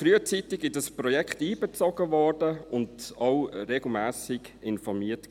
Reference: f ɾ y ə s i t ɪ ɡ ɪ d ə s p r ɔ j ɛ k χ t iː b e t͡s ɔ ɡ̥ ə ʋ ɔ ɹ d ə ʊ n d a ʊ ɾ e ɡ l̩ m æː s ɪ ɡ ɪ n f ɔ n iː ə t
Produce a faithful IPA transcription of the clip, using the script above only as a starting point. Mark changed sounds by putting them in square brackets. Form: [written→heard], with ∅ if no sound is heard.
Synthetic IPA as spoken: f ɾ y ə [s→t͡s] i t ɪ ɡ ɪ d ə s p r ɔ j ɛ k χ t iː b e t͡s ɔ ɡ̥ ə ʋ ɔ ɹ d ə ʊ n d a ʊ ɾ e ɡ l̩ m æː s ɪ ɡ ɪ n f ɔ [n→m] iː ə t